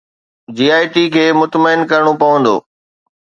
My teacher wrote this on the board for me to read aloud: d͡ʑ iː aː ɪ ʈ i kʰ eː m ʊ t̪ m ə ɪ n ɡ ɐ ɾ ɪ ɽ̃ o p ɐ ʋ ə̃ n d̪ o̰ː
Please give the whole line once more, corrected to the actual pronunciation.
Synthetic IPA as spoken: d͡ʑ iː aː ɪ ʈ i kʰ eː m ʊ t̪ m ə ɪ n k ɐ ɾ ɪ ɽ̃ o p ɐ ʋ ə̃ n d̪ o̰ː